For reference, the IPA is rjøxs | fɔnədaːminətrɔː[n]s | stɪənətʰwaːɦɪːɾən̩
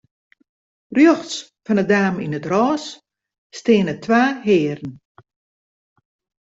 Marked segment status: incorrect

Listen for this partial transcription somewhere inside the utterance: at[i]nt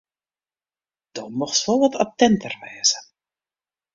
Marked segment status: incorrect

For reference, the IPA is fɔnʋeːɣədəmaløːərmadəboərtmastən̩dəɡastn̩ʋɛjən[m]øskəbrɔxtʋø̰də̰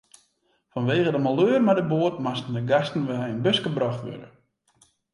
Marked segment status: incorrect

